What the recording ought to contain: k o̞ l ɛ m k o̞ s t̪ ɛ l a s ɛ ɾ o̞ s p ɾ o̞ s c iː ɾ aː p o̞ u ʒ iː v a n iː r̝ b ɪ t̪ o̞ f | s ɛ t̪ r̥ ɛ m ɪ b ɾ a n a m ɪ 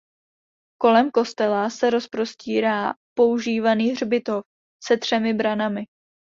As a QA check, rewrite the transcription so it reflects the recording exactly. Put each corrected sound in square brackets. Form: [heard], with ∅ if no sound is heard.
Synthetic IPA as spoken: k o̞ l ɛ m k o̞ s t̪ ɛ l a s ɛ ɾ o̞ s p ɾ o̞ s c iː ɾ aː p o̞ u ʒ iː v a n iː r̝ b ɪ t̪ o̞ f | s ɛ t̪ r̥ ɛ m ɪ b ɾ a n a m ɪ